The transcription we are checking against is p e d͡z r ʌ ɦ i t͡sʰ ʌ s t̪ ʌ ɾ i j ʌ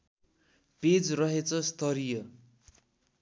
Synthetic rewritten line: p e d͡z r ʌ ɦ e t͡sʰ ʌ s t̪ ʌ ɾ i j ʌ